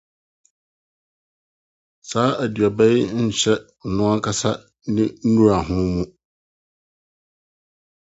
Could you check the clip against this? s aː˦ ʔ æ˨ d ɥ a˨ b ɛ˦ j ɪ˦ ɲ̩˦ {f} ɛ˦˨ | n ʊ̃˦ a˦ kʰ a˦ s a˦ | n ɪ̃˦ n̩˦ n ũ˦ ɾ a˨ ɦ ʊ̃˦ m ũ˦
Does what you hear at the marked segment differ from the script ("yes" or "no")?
yes